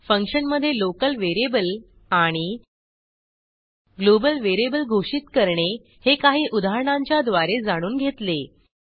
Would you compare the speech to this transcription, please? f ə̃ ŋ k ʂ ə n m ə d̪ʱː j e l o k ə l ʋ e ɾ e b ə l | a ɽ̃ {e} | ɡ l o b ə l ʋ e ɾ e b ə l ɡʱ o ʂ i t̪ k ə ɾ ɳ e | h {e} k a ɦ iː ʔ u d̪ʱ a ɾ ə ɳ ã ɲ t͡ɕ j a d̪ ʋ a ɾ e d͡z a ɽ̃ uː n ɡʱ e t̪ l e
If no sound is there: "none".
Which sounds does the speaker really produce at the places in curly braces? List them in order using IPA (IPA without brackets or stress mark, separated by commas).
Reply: i, e